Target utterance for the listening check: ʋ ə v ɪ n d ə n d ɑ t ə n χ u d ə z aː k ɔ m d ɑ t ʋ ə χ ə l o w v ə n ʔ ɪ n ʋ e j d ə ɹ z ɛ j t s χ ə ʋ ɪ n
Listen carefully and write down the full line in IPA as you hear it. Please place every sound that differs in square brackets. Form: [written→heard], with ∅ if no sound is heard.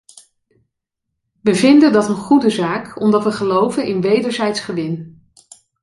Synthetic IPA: ʋ ə v ɪ n d ə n d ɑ t ə n χ u d ə z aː k ɔ m d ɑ t ʋ ə χ ə l o w v ə n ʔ ɪ n ʋ e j d ə ɹ z ɛ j t s χ ə ʋ ɪ n